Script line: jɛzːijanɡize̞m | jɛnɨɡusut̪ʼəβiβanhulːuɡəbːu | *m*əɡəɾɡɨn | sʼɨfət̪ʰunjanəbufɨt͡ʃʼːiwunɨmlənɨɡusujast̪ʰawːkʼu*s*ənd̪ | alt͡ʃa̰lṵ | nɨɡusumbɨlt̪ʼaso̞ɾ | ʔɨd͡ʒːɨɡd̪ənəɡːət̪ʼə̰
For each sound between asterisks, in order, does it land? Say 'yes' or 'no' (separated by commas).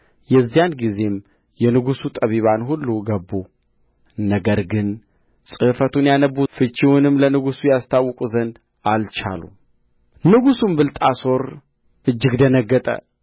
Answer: no, no